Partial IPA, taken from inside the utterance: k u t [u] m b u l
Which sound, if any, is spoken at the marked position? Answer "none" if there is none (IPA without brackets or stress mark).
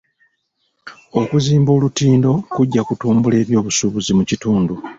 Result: uː